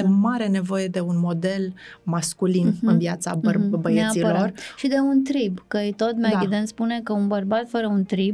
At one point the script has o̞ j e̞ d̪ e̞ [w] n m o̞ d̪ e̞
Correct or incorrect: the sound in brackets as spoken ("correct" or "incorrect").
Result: incorrect